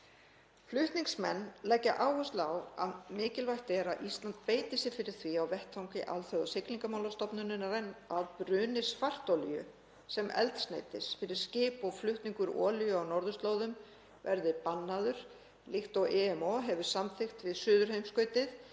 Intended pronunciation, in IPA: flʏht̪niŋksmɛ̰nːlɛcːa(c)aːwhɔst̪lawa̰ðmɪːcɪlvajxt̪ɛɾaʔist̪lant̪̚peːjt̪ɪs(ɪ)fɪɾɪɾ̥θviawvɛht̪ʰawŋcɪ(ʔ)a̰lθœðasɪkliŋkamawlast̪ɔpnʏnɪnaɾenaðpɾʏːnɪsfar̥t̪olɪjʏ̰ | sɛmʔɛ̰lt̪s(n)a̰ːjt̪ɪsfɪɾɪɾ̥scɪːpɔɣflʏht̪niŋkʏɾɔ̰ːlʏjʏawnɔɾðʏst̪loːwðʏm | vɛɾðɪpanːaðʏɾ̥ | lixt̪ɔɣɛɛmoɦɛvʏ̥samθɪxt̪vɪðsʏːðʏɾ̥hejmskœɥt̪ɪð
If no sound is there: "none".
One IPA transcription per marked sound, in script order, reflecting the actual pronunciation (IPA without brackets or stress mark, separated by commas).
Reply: ʔ, ɪ, ʔ, n